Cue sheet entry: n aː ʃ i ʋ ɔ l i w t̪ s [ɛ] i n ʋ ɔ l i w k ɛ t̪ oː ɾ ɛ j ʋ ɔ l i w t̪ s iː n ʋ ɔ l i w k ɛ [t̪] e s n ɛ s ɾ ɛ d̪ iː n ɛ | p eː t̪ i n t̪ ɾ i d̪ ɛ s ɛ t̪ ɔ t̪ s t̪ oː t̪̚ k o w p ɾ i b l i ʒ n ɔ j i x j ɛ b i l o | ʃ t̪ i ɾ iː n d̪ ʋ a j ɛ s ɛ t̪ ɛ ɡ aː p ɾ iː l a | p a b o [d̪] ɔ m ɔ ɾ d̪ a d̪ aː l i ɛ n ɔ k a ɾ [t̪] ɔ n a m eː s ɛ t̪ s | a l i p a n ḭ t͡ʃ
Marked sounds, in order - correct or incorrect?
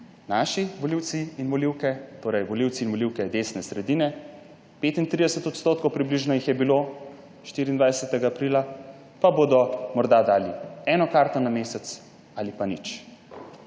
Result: incorrect: i, incorrect: d̪, correct, correct

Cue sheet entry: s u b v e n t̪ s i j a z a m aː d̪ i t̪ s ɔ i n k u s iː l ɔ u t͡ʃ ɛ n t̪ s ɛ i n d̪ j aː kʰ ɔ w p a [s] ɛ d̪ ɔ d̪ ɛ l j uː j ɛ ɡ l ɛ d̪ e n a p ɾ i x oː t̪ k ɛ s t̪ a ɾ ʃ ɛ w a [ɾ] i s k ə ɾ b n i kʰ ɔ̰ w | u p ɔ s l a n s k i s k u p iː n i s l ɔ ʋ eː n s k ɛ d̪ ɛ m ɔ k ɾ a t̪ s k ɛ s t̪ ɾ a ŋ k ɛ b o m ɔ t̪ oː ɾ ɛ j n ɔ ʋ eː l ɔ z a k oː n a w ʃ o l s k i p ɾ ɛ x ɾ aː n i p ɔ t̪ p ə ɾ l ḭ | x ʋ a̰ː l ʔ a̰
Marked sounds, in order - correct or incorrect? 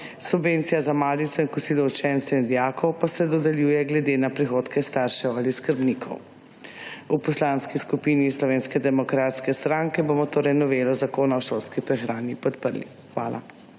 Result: correct, incorrect: l

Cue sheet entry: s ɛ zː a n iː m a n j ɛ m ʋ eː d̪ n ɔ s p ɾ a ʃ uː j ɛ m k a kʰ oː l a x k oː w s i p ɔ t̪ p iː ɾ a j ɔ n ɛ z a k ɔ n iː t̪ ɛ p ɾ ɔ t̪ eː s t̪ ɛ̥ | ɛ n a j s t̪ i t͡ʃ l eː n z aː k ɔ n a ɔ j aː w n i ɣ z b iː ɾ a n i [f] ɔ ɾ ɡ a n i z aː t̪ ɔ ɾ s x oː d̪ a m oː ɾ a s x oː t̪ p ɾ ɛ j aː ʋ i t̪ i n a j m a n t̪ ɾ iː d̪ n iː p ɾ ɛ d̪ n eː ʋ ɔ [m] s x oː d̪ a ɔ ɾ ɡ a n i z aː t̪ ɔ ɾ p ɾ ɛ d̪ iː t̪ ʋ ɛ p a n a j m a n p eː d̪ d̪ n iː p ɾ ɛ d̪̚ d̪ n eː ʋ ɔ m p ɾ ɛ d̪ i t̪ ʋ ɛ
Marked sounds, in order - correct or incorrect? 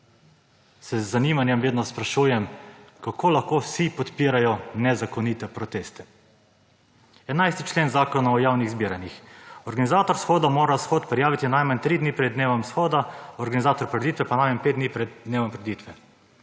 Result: incorrect: x, correct

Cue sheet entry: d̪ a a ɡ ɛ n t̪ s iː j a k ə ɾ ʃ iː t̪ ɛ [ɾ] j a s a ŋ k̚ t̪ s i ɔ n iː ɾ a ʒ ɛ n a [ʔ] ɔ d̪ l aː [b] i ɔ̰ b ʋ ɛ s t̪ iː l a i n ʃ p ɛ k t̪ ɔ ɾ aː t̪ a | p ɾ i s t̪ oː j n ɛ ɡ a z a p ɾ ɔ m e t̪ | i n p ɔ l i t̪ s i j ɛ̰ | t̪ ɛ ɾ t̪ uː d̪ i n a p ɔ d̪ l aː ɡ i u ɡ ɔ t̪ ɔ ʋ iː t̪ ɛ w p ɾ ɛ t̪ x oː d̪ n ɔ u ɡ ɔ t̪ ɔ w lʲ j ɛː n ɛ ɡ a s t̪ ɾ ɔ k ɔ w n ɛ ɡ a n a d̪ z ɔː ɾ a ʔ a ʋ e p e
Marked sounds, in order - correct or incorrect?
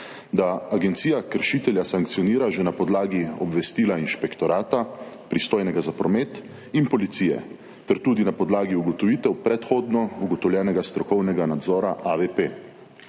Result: incorrect: l, incorrect: p, incorrect: ɡ

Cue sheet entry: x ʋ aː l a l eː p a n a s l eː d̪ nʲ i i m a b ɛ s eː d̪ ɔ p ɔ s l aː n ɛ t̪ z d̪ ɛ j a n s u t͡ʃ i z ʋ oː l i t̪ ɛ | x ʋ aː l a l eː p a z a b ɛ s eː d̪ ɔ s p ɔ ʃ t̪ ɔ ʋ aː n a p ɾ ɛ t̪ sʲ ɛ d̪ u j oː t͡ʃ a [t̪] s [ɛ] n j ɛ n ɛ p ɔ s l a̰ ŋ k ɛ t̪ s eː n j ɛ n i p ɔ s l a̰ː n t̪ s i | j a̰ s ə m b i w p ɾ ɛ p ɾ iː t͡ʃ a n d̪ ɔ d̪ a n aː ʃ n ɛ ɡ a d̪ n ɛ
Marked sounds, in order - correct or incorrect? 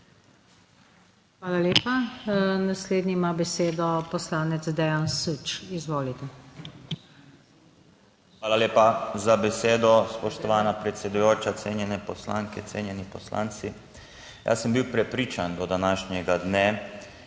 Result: correct, incorrect: e

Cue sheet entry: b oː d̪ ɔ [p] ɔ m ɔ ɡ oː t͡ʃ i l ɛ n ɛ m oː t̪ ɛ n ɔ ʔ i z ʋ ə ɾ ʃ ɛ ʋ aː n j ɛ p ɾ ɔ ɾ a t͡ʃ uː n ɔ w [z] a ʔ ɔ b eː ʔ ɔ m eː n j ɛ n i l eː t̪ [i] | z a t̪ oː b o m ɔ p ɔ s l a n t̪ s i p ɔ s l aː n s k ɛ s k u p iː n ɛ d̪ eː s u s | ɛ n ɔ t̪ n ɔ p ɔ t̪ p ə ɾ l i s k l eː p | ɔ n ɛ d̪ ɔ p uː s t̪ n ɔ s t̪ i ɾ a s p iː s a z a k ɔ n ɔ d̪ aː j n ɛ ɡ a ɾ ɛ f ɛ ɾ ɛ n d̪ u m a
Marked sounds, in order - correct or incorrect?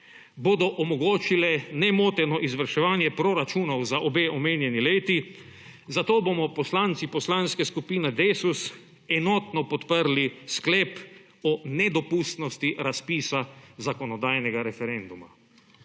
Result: incorrect: ʔ, correct, correct

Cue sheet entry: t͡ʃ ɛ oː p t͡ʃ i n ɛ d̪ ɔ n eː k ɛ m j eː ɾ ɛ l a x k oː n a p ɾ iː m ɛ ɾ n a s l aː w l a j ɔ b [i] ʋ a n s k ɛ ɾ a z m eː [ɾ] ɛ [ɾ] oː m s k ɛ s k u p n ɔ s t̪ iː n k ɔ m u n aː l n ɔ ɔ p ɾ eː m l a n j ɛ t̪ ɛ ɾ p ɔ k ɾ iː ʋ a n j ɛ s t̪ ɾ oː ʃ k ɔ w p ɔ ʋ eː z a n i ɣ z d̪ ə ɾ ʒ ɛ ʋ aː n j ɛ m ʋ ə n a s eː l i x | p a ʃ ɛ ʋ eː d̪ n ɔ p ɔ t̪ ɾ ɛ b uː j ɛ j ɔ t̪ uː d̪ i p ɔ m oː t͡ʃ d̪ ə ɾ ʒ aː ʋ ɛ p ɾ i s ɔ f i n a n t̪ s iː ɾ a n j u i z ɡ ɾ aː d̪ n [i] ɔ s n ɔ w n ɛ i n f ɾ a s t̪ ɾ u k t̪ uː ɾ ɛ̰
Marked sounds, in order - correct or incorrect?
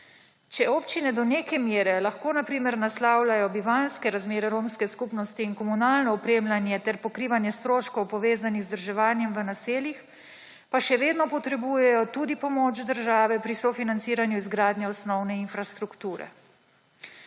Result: correct, correct, correct, incorrect: ɛ

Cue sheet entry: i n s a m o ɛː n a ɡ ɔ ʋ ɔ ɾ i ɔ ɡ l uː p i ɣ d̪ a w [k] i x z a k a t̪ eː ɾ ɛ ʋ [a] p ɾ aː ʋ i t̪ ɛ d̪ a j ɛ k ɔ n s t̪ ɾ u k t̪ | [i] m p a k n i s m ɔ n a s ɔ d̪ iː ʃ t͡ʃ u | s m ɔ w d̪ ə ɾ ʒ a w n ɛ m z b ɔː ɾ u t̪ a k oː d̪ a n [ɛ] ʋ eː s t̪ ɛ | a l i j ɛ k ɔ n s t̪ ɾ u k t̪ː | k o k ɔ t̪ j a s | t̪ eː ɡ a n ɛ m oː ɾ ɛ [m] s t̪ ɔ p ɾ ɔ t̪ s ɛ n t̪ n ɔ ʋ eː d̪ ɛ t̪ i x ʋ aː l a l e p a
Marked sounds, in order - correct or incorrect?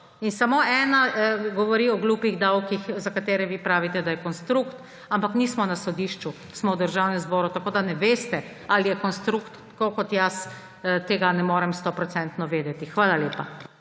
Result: correct, incorrect: i, incorrect: a, correct, correct

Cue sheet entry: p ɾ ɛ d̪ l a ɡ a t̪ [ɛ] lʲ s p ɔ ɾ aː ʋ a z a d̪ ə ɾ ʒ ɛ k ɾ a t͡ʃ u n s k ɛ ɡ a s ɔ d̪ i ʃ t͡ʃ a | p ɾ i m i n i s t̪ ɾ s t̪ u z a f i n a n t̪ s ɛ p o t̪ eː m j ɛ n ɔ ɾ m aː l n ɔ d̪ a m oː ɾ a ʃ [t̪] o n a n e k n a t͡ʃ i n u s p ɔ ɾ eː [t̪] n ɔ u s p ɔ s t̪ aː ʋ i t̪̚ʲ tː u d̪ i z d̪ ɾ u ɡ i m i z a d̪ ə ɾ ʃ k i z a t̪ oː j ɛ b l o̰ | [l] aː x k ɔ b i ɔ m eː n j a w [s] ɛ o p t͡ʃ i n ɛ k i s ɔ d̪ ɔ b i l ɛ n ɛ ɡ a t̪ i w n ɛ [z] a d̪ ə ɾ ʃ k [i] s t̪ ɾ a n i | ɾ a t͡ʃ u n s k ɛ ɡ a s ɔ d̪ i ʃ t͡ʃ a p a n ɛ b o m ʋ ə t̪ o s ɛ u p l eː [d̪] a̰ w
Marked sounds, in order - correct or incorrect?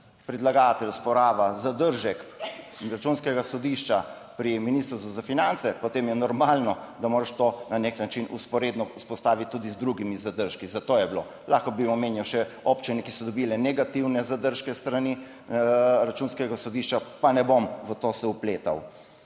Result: correct, correct, incorrect: d̪, correct, incorrect: ʃ, correct, incorrect: ɛ, incorrect: t̪

